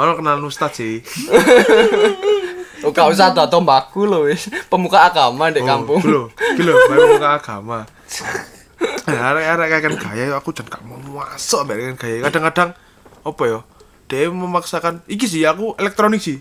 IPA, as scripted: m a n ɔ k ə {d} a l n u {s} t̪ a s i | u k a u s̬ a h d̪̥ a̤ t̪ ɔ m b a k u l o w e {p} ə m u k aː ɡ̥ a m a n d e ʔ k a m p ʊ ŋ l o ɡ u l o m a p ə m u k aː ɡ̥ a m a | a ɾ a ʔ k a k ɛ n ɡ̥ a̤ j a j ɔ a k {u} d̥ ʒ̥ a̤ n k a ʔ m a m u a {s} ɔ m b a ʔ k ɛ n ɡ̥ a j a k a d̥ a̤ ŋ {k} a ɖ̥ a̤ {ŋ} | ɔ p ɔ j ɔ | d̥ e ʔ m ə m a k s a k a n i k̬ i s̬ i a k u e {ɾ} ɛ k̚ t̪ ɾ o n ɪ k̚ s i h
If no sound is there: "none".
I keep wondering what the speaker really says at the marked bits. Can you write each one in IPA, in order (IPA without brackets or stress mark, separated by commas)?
n, s, p, u, s, k, ŋ, l